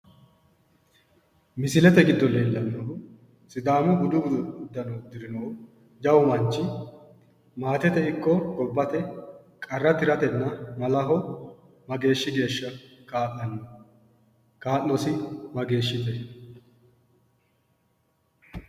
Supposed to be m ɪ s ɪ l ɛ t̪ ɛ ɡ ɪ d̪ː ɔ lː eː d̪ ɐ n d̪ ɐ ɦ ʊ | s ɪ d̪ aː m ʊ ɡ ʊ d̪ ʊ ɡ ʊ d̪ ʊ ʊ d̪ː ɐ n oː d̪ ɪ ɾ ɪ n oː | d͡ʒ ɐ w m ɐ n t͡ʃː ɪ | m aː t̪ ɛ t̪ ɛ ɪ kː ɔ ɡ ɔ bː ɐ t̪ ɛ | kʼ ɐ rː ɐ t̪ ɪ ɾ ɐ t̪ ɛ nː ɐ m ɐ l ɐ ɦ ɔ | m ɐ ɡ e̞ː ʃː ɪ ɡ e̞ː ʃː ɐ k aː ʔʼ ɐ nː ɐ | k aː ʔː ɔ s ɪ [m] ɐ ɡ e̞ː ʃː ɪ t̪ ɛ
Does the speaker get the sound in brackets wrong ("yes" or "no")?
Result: no